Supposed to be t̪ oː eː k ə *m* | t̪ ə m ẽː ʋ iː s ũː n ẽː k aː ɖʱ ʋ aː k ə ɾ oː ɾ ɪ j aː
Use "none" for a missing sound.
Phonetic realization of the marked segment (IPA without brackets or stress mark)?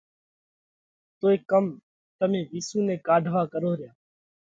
m